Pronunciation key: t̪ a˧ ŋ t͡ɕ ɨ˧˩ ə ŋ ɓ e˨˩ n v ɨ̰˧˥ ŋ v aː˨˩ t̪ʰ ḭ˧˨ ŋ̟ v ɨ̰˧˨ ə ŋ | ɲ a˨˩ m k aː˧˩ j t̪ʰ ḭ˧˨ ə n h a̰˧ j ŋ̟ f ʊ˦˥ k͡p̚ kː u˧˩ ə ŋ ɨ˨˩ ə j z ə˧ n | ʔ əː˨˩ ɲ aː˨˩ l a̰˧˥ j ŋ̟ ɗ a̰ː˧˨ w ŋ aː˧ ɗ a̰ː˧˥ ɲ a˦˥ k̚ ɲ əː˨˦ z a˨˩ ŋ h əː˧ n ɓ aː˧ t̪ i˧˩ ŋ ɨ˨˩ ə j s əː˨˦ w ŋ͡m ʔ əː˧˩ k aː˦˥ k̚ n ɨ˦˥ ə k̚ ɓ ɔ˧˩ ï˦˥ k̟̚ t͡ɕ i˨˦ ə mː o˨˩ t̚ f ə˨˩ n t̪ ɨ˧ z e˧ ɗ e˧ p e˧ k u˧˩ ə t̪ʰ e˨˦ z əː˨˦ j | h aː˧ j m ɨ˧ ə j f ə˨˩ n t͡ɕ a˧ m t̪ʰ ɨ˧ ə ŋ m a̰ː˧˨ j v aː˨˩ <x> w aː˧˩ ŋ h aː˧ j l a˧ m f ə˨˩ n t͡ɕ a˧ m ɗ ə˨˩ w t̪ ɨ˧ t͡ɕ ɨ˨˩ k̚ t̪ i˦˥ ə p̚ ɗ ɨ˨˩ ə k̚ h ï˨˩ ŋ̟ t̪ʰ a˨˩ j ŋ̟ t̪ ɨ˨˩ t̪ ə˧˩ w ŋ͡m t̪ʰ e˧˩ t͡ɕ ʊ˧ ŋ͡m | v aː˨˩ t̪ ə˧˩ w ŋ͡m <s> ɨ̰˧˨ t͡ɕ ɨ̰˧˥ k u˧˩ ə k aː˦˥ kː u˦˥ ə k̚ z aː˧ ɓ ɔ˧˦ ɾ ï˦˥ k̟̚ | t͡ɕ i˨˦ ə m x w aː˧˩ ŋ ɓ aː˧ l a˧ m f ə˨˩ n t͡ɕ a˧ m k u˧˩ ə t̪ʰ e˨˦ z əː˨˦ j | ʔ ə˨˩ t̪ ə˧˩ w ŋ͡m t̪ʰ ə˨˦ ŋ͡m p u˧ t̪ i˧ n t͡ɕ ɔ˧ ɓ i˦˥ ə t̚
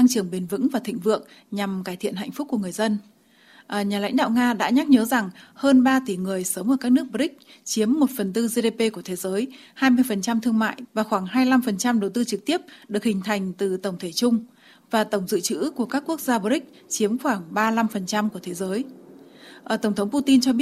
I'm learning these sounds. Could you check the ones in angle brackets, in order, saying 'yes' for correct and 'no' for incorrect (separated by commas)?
yes, no